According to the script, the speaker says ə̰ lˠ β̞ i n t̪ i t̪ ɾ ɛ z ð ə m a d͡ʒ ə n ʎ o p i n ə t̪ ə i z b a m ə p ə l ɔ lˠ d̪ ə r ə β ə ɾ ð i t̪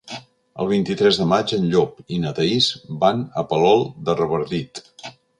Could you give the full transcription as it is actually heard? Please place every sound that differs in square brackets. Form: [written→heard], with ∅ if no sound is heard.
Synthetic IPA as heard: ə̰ lˠ β̞ i n t̪ i t̪ ɾ ɛ z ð ə m a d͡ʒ ə n ʎ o p i n ə t̪ ə i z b a [m→n] ə p ə l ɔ lˠ d̪ ə r ə β ə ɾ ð i t̪